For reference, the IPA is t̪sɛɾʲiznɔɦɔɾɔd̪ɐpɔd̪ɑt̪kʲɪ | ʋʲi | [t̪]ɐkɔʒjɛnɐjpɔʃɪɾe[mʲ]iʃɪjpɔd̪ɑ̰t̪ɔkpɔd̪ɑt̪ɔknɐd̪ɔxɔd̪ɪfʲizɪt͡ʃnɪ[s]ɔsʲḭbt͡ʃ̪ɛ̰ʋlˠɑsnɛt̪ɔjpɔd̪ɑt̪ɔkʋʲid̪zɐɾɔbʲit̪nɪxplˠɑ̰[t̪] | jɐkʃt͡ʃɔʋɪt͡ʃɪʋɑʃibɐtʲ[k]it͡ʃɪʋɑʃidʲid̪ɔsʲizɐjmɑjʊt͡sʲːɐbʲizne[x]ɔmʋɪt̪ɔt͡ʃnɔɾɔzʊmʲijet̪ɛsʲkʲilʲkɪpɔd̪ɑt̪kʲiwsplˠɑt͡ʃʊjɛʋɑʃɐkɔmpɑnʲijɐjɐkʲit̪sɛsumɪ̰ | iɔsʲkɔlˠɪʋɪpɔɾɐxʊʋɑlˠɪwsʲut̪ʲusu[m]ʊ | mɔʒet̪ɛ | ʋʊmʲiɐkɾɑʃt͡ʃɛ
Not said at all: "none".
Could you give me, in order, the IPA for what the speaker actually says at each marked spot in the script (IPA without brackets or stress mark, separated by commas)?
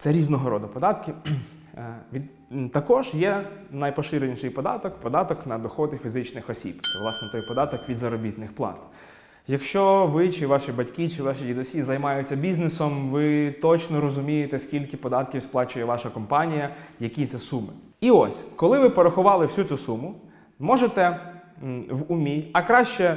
t̪, nʲ, x, t̪, k, s, m